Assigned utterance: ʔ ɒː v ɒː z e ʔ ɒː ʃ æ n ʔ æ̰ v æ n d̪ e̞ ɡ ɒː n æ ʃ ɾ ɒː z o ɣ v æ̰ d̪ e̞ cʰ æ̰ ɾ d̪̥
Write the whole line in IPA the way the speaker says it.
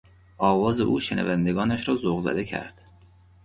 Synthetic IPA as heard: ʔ ɒː v ɒː z e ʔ uː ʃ e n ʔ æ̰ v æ n d̪ e̞ ɡ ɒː n æ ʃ ɾ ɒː z o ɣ z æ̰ d̪ e̞ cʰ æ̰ ɾ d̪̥